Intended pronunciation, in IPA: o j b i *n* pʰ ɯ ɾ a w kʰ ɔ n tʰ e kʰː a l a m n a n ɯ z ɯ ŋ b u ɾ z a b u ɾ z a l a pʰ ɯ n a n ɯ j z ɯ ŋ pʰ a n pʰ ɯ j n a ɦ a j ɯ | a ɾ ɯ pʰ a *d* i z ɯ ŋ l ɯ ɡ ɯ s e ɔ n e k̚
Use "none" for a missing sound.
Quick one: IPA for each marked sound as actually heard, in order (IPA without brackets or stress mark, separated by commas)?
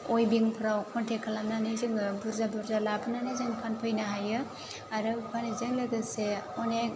ŋ, n